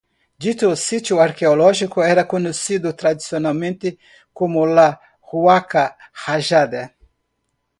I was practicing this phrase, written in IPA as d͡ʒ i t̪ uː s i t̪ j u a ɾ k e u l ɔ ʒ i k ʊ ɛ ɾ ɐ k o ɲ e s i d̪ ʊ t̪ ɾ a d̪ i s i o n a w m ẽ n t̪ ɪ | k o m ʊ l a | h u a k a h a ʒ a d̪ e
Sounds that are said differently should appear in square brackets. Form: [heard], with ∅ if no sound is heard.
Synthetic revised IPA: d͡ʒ i t̪ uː s i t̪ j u a ɾ k e [o] l ɔ ʒ i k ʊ ɛ ɾ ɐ k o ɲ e s i d̪ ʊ t̪ ɾ a d̪ i s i o n a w m ẽ n t̪ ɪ | k o m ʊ l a | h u a k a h a ʒ a d̪ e